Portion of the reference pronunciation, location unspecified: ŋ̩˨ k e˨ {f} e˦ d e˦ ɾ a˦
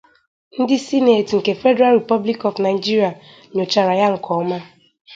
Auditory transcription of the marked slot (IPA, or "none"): f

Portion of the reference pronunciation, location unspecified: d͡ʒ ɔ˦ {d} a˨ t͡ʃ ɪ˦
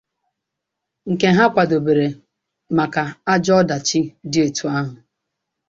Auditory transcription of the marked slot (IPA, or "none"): d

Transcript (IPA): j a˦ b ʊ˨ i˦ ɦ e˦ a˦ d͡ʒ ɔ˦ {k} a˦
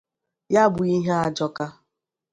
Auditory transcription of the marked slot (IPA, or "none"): k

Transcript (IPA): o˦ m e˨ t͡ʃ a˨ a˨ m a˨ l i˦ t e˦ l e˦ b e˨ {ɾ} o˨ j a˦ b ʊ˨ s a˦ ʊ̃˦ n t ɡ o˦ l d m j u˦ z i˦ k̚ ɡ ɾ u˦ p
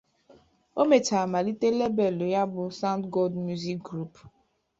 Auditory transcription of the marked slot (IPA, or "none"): l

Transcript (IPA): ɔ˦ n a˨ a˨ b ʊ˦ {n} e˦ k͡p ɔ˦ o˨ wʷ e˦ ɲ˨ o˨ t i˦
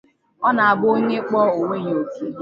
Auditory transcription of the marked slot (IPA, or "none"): ɲ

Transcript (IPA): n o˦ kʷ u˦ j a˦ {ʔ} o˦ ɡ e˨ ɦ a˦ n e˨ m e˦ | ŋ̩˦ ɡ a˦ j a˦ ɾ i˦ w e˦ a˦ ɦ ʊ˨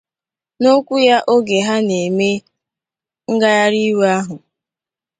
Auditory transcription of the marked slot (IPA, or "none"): ʔ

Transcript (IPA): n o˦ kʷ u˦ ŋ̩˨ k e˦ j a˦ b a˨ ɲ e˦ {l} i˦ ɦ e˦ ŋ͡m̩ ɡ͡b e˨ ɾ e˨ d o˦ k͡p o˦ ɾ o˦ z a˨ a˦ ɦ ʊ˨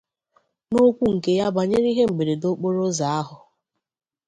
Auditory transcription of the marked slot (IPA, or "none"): ɾ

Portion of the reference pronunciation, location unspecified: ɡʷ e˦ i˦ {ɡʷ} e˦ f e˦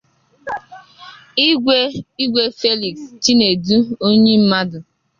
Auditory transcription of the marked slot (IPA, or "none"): ɡʷ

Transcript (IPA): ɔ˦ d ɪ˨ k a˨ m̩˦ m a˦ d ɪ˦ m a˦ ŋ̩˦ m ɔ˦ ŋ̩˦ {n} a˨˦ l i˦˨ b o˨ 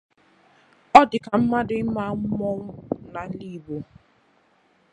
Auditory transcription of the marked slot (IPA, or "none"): n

